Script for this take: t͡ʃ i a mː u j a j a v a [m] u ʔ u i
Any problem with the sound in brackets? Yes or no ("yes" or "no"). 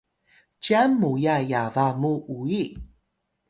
no